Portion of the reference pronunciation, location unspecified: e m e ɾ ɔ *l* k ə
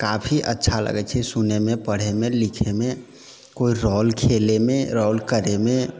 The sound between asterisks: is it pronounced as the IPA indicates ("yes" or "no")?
yes